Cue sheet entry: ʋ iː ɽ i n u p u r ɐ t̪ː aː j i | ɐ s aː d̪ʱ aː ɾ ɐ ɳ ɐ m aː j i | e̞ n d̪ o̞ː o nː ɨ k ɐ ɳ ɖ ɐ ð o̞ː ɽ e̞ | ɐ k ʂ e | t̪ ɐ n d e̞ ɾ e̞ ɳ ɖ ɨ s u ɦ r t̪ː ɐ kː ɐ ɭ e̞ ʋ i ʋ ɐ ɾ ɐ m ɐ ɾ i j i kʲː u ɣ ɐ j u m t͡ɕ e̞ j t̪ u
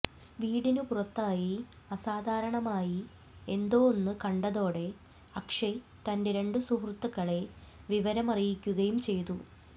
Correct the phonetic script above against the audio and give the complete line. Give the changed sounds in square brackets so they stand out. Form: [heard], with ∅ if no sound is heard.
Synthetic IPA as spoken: ʋ iː ɽ i n u p u r ɐ t̪ː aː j i | ɐ s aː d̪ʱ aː ɾ ɐ ɳ ɐ m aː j i | e̞ n d̪ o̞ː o nː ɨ k ɐ ɳ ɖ ɐ ð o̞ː ɽ e̞ | ɐ k ʂ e | t̪ ɐ n d e̞ ɾ e̞ ɳ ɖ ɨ s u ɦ r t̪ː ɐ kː ɐ ɭ e̞ ʋ i ʋ ɐ ɾ ɐ m ɐ [r] i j i kʲː u ɣ ɐ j u m t͡ɕ e̞ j t̪ u